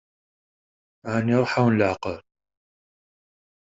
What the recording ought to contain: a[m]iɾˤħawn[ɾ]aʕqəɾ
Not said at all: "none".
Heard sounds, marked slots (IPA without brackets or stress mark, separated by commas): n, l